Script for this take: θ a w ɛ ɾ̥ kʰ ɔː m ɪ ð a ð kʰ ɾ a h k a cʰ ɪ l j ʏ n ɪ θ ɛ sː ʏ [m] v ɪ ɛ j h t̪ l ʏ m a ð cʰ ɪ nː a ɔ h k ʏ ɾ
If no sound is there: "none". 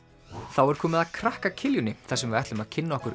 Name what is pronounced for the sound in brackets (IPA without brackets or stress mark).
m